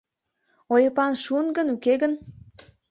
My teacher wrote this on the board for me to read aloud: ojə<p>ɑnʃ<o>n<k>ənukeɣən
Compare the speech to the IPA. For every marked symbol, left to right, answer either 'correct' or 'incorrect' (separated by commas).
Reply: correct, incorrect, incorrect